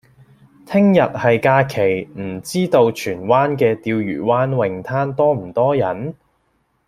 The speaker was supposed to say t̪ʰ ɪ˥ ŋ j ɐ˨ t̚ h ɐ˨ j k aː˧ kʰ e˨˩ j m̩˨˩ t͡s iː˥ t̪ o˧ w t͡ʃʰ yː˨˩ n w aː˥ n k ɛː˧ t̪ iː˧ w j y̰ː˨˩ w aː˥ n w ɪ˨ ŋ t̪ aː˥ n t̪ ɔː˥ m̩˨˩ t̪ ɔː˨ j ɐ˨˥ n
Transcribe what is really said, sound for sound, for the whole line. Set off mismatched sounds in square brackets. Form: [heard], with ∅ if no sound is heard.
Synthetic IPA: t̪ʰ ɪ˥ ŋ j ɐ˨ t̚ h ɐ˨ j k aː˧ kʰ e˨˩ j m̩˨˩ t͡s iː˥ t̪ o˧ w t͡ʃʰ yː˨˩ n w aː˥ n k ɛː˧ t̪ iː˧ w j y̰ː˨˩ w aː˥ n w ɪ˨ ŋ [t̪ʰ] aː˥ n t̪ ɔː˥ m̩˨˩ t̪ [ɔː˥] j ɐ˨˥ n